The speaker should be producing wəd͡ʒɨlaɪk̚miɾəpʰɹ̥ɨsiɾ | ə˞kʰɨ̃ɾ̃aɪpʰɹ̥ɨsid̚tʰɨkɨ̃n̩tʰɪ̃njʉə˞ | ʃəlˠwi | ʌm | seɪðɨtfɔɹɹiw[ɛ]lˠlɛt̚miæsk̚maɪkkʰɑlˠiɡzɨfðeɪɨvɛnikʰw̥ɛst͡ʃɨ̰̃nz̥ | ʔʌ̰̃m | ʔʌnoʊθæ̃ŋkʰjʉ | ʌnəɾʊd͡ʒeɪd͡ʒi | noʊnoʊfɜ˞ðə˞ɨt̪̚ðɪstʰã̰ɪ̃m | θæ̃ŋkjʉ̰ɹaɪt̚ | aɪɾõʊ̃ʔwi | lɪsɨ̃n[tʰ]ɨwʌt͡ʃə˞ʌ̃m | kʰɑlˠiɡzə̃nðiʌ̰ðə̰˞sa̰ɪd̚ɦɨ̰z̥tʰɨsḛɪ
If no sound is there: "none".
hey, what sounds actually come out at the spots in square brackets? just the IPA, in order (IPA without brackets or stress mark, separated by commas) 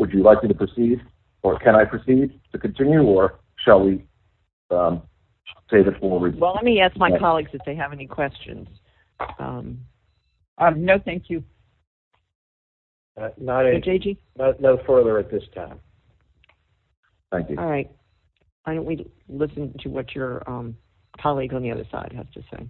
ɛ, tʰ